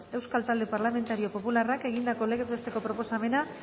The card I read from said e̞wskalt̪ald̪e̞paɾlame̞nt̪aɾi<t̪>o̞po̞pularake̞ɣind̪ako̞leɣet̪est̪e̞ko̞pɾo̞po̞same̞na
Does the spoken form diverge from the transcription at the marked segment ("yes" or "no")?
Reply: yes